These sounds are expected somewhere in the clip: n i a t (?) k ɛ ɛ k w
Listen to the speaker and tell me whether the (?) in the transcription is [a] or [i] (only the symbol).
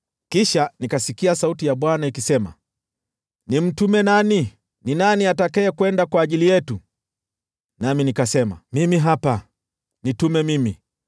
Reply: a